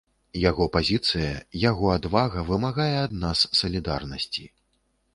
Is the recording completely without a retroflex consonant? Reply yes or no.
yes